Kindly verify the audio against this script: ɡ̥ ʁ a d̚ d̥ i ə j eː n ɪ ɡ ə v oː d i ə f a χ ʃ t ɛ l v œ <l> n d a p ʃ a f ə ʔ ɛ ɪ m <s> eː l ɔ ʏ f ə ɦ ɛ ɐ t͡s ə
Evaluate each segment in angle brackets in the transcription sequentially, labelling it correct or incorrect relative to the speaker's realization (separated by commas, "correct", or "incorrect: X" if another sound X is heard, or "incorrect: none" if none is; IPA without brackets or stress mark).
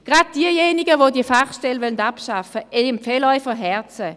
correct, incorrect: f